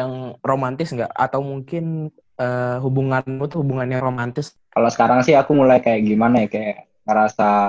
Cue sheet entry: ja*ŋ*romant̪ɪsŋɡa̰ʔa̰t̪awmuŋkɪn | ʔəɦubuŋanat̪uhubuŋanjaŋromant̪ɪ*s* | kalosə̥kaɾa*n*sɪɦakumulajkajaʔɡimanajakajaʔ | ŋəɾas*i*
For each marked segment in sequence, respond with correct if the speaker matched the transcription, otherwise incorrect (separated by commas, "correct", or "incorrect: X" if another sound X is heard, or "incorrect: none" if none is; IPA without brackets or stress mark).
correct, correct, incorrect: ŋ, incorrect: a